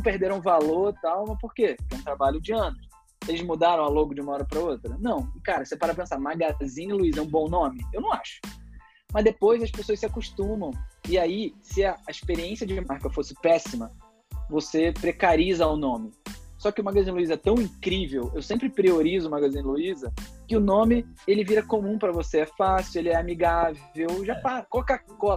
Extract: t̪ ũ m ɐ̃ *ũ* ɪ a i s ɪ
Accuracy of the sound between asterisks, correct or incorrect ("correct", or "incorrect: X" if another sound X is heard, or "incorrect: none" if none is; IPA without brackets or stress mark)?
incorrect: w̃